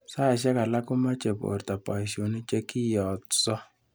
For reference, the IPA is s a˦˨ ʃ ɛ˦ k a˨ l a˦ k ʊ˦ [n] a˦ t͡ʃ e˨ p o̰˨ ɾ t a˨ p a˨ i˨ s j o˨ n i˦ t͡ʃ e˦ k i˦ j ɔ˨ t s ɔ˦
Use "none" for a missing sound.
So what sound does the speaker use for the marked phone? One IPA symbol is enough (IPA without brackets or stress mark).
m